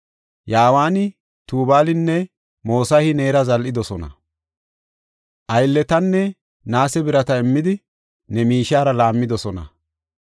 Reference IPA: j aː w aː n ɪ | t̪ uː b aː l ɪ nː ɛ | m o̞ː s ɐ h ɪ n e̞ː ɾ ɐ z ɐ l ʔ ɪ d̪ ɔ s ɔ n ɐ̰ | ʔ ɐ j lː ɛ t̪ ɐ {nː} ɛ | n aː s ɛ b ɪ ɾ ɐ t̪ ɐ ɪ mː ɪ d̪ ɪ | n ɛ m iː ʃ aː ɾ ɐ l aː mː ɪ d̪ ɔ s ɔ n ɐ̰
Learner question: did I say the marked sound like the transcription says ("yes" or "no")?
yes